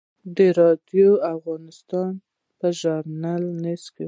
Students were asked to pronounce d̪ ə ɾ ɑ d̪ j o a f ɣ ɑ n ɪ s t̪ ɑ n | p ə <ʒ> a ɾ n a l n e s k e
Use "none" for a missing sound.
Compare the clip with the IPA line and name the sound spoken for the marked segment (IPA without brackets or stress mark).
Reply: ʒ